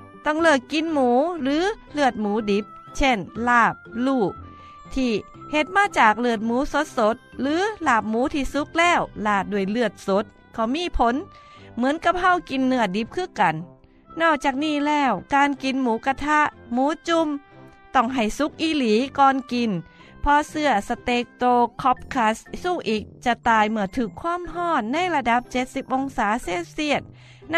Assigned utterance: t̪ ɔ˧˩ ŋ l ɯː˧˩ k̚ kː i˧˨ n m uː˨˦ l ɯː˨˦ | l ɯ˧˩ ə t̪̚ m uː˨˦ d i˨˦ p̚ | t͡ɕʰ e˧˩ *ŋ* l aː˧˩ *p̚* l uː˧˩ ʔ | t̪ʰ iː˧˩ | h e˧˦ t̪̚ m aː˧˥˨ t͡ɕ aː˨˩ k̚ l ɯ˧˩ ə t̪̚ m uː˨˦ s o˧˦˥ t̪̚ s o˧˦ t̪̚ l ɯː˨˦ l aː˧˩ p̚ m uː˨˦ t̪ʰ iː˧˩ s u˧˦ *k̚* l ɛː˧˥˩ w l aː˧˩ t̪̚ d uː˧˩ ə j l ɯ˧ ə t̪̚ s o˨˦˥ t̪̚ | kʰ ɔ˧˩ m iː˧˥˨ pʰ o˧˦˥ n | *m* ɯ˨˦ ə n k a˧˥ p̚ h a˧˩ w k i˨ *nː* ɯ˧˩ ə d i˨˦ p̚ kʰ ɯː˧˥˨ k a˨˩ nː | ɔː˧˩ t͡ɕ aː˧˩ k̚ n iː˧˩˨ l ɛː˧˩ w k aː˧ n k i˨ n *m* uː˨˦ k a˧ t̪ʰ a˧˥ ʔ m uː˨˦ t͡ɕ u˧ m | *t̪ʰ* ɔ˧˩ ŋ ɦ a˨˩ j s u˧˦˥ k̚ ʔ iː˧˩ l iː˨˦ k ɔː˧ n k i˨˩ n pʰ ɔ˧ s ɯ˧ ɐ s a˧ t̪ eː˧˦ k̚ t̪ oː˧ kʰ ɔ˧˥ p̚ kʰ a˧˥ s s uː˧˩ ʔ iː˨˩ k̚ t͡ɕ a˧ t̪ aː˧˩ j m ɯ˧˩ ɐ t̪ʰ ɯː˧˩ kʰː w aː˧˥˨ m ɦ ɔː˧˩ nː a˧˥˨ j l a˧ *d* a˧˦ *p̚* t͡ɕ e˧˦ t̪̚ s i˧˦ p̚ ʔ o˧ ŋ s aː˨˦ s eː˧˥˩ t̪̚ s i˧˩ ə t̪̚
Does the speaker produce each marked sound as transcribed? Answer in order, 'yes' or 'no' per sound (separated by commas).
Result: no, yes, yes, yes, yes, yes, no, yes, yes